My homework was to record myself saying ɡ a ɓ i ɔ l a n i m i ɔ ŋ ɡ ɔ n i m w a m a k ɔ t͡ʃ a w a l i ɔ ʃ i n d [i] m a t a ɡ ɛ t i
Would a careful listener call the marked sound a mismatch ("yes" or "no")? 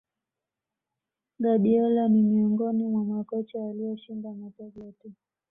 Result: yes